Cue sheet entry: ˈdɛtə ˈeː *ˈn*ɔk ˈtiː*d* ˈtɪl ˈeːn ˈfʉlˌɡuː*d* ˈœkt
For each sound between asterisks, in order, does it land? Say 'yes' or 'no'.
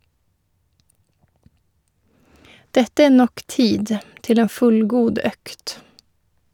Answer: yes, yes, yes

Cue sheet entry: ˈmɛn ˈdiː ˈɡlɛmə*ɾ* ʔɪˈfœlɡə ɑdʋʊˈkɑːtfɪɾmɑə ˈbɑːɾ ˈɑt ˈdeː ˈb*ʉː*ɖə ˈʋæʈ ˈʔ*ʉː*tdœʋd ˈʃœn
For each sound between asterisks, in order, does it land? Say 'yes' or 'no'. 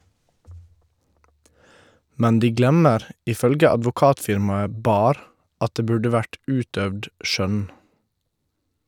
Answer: yes, no, yes

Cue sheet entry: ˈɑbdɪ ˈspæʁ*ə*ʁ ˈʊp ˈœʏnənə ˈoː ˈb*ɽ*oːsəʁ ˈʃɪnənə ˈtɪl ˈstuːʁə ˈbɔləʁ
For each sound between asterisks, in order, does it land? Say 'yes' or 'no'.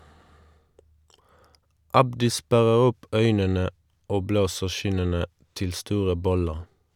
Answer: yes, no

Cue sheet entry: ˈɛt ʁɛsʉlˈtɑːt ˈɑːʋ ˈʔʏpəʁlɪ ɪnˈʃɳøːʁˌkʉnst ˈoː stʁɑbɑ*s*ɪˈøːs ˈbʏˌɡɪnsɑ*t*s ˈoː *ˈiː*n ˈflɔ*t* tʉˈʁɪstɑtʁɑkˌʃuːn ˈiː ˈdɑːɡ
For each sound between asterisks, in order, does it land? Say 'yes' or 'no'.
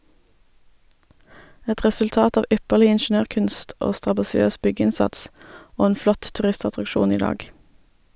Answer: yes, yes, no, yes

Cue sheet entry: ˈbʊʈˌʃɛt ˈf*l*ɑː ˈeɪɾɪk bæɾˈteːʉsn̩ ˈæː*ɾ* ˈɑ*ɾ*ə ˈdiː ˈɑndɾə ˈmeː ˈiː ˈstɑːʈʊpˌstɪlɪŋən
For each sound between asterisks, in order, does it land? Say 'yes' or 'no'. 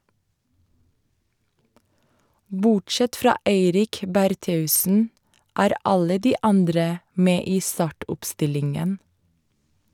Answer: no, yes, no

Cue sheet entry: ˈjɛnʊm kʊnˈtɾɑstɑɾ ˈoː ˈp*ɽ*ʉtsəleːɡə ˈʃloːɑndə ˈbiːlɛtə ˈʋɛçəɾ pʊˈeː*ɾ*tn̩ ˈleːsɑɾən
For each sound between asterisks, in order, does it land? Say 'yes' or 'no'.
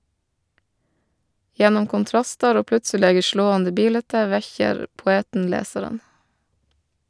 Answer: no, no

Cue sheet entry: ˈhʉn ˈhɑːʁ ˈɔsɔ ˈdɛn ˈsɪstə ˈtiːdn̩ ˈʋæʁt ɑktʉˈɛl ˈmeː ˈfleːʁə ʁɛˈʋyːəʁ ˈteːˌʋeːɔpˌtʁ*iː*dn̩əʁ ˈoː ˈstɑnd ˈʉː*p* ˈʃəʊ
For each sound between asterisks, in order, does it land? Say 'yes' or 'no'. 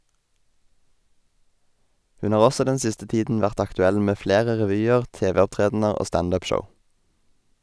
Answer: no, yes

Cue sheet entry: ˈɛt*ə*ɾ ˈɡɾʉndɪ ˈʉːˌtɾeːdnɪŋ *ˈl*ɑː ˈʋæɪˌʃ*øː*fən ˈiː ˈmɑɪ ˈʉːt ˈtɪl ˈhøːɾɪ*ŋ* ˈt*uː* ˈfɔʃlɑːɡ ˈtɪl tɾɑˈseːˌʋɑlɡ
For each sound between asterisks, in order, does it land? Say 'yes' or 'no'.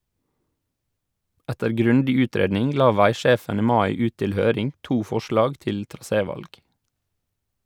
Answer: yes, yes, no, yes, yes

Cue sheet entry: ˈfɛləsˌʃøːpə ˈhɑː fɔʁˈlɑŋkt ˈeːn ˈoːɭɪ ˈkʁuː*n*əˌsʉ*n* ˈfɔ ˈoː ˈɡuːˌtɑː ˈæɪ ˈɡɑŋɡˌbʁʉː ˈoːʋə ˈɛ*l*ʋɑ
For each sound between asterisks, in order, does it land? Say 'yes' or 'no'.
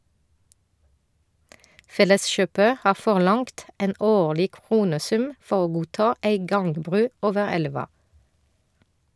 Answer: yes, no, yes

